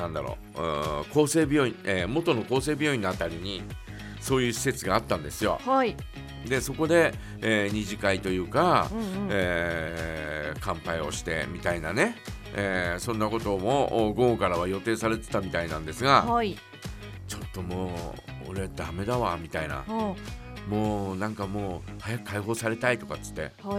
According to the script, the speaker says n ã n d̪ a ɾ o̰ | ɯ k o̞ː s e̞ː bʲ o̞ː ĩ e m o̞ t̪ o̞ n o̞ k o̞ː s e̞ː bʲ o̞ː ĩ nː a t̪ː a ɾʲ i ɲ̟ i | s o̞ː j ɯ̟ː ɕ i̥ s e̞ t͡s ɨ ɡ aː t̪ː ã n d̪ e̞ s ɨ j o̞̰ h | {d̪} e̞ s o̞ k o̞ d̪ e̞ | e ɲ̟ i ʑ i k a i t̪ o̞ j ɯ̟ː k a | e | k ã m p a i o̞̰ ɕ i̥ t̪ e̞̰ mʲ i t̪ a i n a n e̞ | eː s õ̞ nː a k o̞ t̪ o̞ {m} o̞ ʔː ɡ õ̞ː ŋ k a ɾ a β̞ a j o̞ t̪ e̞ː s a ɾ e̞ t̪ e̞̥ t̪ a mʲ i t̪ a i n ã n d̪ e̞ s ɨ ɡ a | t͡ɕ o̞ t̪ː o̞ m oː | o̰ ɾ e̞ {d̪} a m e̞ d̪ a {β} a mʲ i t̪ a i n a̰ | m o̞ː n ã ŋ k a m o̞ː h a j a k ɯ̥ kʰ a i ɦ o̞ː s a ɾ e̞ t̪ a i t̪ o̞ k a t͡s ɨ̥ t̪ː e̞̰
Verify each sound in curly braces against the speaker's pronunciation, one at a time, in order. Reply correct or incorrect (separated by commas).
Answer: correct, correct, correct, correct